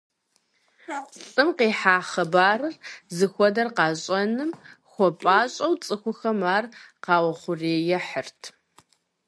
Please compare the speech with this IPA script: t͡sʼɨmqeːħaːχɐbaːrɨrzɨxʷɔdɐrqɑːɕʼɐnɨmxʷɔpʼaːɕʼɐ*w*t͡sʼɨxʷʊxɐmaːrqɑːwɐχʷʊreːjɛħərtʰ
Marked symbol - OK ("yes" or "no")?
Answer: yes